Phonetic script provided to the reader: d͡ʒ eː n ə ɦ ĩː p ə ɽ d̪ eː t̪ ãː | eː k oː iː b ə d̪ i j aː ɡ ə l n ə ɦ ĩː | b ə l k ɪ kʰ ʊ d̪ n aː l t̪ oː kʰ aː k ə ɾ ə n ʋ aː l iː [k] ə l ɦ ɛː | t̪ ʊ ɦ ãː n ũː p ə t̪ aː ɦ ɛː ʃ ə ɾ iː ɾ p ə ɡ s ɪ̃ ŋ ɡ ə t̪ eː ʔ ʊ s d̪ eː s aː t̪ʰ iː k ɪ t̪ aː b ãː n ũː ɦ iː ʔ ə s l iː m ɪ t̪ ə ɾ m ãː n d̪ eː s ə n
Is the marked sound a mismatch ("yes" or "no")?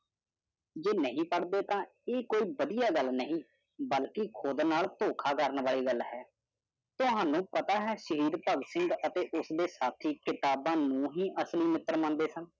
yes